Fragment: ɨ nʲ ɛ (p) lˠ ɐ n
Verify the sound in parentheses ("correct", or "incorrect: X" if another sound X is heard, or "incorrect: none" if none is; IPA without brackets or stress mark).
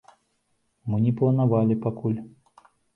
correct